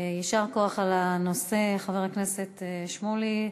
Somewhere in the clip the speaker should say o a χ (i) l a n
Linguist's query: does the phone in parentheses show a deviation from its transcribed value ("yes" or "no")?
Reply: yes